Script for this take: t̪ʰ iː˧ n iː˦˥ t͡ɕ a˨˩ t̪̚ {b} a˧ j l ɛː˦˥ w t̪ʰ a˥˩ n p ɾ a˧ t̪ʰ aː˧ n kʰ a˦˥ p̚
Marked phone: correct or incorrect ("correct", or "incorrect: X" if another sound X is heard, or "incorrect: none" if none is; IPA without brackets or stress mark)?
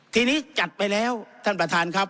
incorrect: p